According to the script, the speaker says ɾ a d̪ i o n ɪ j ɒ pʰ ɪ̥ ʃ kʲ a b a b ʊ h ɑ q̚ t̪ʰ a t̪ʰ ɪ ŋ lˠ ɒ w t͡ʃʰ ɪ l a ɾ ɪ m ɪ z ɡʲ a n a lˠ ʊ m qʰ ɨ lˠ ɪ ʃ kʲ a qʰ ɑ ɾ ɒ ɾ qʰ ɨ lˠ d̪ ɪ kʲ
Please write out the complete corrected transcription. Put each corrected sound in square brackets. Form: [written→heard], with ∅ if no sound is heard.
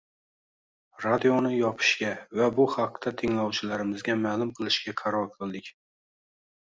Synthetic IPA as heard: ɾ a d̪ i o n ɪ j ɒ pʰ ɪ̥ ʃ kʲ a [b→v] a b ʊ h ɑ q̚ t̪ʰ a t̪ʰ ɪ ŋ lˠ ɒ w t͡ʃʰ ɪ l a ɾ ɪ m ɪ z ɡʲ a [n→m] a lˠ ʊ m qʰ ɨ lˠ ɪ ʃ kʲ a qʰ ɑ ɾ ɒ ɾ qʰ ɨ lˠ d̪ ɪ kʲ

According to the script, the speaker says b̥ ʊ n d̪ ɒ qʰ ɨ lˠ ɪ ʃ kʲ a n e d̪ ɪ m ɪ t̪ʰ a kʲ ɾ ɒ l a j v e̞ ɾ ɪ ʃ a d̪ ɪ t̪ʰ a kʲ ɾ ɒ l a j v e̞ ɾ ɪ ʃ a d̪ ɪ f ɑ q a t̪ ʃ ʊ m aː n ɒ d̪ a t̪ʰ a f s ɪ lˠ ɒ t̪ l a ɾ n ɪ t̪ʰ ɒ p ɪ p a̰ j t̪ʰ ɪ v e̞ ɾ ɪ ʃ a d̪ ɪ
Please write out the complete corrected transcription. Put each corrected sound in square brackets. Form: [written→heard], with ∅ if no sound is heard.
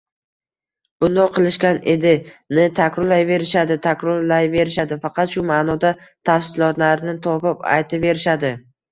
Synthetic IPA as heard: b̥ ʊ n d̪ ɒ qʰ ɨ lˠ ɪ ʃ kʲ a n e d̪ ɪ [m→n] ɪ t̪ʰ a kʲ ɾ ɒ l a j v e̞ ɾ ɪ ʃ a d̪ ɪ t̪ʰ a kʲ ɾ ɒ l a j v e̞ ɾ ɪ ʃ a d̪ ɪ f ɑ q [a→ɑ] t̪ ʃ ʊ m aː n ɒ d̪ a t̪ʰ a f s ɪ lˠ ɒ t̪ l a ɾ n ɪ t̪ʰ ɒ p ɪ p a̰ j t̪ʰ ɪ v e̞ ɾ ɪ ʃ a d̪ ɪ

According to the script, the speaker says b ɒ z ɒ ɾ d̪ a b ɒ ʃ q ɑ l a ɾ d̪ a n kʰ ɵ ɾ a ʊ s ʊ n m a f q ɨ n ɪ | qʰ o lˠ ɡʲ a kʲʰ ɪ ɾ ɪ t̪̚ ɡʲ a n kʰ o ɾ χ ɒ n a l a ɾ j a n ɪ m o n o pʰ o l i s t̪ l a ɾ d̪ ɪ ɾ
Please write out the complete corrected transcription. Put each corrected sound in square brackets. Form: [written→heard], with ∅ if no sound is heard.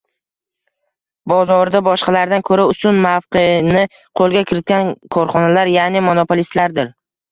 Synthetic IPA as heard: b ɒ z ɒ ɾ d̪ a b ɒ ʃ q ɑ l a ɾ d̪ a n kʰ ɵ ɾ a ʊ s ʊ n m a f q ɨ n ɪ | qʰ o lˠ ɡʲ a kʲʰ ɪ ɾ ɪ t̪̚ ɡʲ a n kʰ [o→ɒ] ɾ χ ɒ n a l a ɾ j a n ɪ m o n o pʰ o l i s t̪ l a ɾ d̪ ɪ ɾ

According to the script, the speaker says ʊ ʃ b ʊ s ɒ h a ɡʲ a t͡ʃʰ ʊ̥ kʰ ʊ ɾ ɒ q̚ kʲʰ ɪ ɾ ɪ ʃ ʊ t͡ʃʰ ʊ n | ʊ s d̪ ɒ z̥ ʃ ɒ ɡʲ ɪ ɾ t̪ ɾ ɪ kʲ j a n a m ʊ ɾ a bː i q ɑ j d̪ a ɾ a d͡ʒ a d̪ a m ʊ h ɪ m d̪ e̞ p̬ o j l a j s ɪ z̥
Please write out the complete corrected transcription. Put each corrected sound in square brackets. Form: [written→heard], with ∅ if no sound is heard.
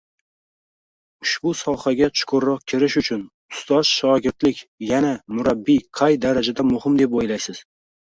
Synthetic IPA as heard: ʊ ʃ b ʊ s ɒ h a ɡʲ a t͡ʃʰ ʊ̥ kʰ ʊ ɾ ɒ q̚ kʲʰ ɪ ɾ ɪ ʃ ʊ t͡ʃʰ ʊ n | ʊ s [d̪→t̪] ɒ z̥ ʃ ɒ ɡʲ ɪ ɾ t̪ [ɾ→l] ɪ kʲ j a n a m ʊ ɾ a bː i [q→qʰ] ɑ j d̪ a ɾ a d͡ʒ a d̪ a m ʊ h ɪ m d̪ e̞ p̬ o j l a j s ɪ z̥

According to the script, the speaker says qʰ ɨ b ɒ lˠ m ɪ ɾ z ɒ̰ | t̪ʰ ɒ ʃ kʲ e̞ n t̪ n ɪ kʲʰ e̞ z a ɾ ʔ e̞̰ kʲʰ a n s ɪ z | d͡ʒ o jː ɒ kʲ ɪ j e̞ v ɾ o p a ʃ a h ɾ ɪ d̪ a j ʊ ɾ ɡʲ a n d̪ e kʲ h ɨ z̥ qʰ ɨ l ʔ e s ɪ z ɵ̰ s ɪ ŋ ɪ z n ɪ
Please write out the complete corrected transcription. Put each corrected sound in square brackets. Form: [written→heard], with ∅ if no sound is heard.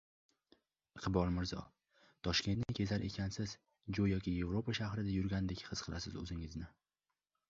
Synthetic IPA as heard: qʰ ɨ b ɒ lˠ m ɪ ɾ z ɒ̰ | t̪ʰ ɒ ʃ kʲ e̞ n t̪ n ɪ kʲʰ e̞ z a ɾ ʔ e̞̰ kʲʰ a n s ɪ z | d͡ʒ o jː ɒ kʲ ɪ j e̞ v ɾ o p a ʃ a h ɾ ɪ d̪ a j ʊ ɾ ɡʲ a n d̪ e kʲ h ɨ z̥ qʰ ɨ l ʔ [e→a] s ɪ z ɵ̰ [s→z] ɪ ŋ ɪ z n ɪ

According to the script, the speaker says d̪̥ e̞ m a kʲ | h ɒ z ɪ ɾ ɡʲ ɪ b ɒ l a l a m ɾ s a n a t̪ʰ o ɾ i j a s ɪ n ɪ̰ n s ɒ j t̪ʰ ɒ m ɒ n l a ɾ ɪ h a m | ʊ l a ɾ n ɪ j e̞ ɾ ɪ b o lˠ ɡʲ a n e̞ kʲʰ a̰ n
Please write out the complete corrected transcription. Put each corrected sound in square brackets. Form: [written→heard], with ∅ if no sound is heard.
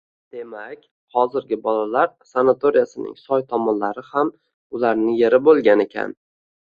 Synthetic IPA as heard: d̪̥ e̞ m a kʲ | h ɒ z ɪ ɾ ɡʲ ɪ b ɒ l a l a [m→∅] ɾ s a n a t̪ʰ o ɾ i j a s ɪ n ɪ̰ [n→ŋ] s ɒ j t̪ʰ ɒ m ɒ n l a ɾ ɪ h a m | ʊ l a ɾ n ɪ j e̞ ɾ ɪ b o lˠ ɡʲ a n e̞ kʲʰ a̰ n

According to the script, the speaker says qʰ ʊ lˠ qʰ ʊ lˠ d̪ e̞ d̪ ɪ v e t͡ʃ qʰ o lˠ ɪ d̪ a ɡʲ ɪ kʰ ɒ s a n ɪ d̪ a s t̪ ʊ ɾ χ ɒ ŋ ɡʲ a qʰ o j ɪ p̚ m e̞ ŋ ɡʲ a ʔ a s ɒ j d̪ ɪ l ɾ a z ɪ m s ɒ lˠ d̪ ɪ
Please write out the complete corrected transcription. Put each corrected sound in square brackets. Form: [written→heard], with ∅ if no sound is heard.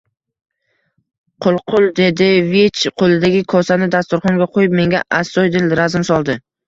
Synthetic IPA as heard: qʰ ʊ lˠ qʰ ʊ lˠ d̪ e̞ d̪ ɪ v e t͡ʃ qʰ o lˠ ɪ d̪ a ɡʲ ɪ kʰ ɒ s a n ɪ d̪ a s t̪ ʊ ɾ χ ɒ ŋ ɡʲ a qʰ o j ɪ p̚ m e̞ ŋ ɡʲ a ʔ a s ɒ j d̪ ɪ l ɾ a z ɪ m s ɒ lˠ d̪ ɪ

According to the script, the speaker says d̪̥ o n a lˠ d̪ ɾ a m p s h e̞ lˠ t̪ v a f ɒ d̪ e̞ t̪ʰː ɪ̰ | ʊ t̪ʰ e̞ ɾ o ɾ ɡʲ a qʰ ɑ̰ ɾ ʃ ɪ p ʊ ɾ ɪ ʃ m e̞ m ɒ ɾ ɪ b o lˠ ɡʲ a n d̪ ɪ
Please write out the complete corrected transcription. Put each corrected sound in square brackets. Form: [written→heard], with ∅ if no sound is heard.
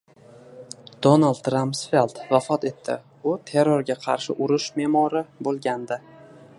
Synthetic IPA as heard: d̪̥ o n a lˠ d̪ ɾ a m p s [h→f] e̞ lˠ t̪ v a f ɒ [d̪→t̪] e̞ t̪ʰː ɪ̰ | ʊ t̪ʰ e̞ ɾ o ɾ ɡʲ a qʰ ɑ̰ ɾ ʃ ɪ [p→ʔ] ʊ ɾ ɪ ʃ m e̞ m ɒ ɾ ɪ b o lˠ ɡʲ a n d̪ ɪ

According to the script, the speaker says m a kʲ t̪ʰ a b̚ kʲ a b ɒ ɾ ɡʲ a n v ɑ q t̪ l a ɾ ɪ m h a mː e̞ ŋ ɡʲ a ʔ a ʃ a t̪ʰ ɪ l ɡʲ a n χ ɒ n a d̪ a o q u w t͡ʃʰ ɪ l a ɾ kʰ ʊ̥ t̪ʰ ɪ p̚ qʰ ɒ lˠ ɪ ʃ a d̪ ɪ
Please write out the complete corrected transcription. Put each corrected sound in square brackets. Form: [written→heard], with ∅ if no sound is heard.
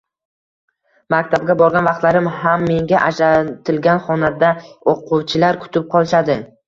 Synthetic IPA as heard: m a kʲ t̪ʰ a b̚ [kʲ→ɡʲ] a b ɒ ɾ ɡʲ a n v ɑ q t̪ l a ɾ ɪ m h a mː e̞ ŋ ɡʲ a ʔ a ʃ a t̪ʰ ɪ l ɡʲ a n χ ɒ n a d̪ a o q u w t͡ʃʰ ɪ l a ɾ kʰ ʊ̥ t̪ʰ ɪ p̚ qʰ ɒ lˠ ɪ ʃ a d̪ ɪ

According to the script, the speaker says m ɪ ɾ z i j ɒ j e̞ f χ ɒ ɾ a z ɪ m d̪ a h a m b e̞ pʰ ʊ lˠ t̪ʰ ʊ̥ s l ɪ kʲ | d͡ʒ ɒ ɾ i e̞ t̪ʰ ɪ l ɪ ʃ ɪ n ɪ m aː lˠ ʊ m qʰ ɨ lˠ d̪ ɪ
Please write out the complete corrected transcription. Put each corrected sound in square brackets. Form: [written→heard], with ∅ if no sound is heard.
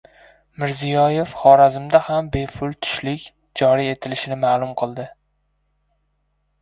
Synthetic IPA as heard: m ɪ ɾ z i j ɒ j e̞ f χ ɒ ɾ a z ɪ m d̪ a h a m b e̞ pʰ ʊ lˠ t̪ʰ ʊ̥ [s→ʃ] l ɪ kʲ | d͡ʒ ɒ ɾ i e̞ t̪ʰ ɪ l ɪ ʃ ɪ n ɪ m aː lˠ ʊ m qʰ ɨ lˠ d̪ ɪ

